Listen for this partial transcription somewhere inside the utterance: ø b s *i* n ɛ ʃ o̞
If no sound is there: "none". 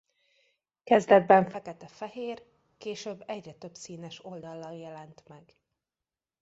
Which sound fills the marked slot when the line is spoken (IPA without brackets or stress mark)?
iː